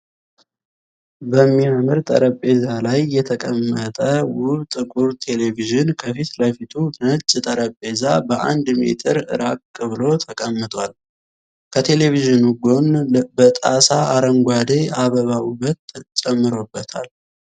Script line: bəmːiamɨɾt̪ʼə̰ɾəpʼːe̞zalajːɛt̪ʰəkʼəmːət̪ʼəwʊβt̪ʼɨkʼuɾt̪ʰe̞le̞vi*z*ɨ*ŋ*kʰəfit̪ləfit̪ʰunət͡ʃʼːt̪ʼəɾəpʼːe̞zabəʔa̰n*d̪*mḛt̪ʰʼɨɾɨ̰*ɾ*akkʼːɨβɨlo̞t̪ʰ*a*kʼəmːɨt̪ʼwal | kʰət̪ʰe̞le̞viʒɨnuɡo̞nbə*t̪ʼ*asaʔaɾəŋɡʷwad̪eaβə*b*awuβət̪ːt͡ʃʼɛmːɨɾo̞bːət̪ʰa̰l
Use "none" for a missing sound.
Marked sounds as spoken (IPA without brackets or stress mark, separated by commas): ʒ, n, d̪, ɾ, ə, t̪ʼ, β